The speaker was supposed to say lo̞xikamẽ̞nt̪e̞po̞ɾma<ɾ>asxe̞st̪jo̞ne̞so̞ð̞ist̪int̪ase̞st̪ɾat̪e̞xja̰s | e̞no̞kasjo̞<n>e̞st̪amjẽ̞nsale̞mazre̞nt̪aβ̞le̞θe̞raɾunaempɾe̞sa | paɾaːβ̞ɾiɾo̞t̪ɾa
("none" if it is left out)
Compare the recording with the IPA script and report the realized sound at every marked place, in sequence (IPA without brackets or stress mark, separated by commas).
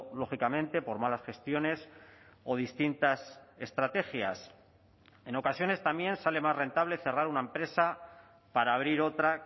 l, n